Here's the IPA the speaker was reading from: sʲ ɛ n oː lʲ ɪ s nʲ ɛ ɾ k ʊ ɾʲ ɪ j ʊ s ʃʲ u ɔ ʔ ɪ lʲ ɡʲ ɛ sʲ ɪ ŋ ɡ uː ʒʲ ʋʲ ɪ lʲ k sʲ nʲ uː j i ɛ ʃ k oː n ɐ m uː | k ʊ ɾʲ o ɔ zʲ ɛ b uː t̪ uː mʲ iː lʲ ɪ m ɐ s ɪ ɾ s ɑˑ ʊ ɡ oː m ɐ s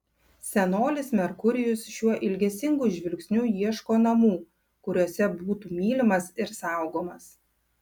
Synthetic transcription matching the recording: sʲ ɛ n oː lʲ ɪ s mʲ ɛ ɾ k ʊ ɾʲ ɪ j ʊ s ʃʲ u ɔ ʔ ɪ lʲ ɡʲ ɛ sʲ ɪ ŋ ɡ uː ʒʲ ʋʲ ɪ lʲ k sʲ nʲ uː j i ɛ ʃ k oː n ɐ m uː | k ʊ ɾʲ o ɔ sʲ ɛ b uː t̪ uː mʲ iː lʲ ɪ m ɐ s ɪ ɾ s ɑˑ ʊ ɡ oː m ɐ s